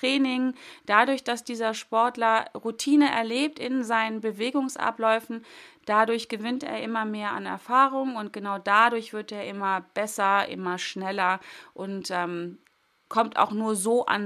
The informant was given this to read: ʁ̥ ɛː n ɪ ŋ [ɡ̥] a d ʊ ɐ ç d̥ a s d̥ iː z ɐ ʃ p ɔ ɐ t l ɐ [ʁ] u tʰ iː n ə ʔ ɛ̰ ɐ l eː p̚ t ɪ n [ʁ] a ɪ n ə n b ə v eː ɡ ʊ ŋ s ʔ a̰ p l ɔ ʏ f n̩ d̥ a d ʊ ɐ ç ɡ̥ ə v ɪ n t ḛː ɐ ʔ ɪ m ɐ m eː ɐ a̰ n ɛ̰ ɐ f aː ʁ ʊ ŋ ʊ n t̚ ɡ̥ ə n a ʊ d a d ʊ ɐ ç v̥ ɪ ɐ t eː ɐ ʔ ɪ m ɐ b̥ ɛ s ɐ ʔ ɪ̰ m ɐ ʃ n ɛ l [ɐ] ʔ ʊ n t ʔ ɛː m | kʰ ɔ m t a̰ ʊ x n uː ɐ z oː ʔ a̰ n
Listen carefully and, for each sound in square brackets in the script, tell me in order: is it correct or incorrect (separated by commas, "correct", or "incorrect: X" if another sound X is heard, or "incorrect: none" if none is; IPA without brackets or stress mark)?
incorrect: d̥, correct, incorrect: z, correct